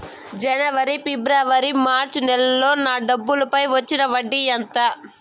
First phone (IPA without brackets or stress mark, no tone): d͡ʒ